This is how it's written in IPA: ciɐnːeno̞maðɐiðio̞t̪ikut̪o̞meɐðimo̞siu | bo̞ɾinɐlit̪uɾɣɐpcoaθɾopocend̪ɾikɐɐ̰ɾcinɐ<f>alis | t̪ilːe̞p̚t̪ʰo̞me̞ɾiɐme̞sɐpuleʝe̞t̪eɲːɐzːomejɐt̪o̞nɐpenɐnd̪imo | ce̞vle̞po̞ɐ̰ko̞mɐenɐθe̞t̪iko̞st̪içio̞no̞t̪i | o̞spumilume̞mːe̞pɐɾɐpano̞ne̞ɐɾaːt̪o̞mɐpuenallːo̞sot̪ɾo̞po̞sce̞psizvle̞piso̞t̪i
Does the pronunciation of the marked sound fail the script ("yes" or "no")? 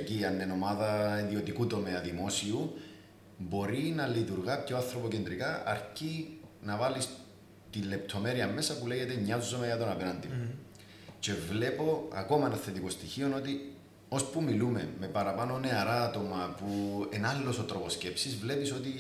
yes